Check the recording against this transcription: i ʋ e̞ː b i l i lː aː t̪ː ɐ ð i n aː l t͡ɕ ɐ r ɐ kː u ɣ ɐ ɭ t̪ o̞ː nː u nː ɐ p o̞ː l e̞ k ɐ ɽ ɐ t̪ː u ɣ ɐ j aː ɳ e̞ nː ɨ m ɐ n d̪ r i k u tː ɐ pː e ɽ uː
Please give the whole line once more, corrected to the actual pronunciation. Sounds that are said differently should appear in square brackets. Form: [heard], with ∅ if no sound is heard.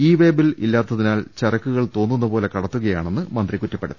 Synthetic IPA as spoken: [iː] ʋ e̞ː b i l i lː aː t̪ː ɐ ð i n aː l t͡ɕ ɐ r ɐ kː u ɣ ɐ ɭ t̪ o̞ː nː u nː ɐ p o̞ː l e̞ k ɐ ɽ ɐ t̪ː u ɣ ɐ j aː ɳ e̞ nː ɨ m ɐ n d̪ r i k u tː ɐ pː e ɽ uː